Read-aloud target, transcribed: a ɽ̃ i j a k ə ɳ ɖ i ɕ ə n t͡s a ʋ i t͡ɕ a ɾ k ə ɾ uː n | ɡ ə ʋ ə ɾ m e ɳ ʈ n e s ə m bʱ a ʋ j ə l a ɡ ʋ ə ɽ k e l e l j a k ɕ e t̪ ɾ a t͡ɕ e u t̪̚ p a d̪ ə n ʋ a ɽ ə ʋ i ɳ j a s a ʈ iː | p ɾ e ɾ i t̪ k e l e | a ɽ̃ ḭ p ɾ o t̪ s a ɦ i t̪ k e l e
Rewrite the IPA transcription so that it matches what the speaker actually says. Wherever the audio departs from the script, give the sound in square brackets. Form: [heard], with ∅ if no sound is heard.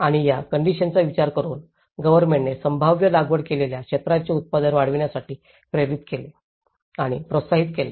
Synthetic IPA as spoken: a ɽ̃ i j a k ə ɳ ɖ i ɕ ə n t͡s a ʋ i t͡ɕ a ɾ k ə ɾ uː n | ɡ ə ʋ ə ɾ m e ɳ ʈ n e s ə m bʱ a ʋ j ə l a ɡ ʋ ə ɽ k e l e l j a k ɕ e t̪ ɾ a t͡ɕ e u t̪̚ p a d̪ ə n ʋ a ɽ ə ʋ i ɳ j a s a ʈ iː | p ɾ e ɾ i t̪ k e l e | a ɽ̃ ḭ p ɾ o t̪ s a ɦ i t̪ k e l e